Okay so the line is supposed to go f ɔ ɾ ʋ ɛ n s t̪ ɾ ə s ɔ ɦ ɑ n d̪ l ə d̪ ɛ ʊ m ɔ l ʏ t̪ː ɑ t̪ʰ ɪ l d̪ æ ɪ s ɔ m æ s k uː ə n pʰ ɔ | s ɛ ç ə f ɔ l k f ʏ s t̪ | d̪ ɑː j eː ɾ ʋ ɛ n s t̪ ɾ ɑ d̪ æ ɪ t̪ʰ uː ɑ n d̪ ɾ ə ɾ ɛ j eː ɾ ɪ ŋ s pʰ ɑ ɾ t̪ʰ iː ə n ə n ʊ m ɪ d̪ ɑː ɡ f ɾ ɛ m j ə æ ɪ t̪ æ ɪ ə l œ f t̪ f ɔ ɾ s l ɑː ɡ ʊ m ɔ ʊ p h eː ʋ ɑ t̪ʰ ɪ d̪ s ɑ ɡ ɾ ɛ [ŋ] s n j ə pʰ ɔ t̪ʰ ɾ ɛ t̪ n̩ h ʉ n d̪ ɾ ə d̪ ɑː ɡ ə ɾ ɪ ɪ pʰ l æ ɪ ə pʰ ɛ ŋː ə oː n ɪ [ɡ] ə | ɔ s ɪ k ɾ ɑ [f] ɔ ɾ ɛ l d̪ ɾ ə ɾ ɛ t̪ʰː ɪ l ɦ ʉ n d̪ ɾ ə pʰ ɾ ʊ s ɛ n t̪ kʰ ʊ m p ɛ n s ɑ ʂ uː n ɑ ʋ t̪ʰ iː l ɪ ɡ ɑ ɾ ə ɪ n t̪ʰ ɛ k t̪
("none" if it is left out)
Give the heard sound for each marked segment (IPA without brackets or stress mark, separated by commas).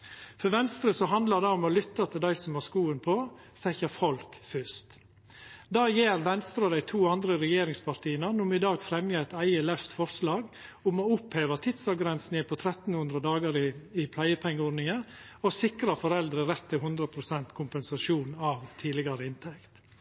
n, ŋ, f